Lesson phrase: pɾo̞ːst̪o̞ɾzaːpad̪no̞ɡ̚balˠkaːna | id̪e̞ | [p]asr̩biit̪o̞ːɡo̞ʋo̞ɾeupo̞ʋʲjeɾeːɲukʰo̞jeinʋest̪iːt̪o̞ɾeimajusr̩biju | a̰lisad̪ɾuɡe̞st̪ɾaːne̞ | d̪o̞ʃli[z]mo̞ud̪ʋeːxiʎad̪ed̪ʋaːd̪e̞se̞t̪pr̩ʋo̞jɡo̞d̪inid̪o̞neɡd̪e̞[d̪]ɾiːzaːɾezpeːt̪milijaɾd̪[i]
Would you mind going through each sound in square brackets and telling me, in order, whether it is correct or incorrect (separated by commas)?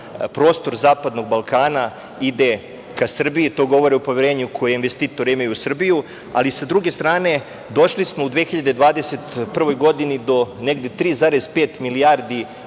incorrect, incorrect, incorrect, correct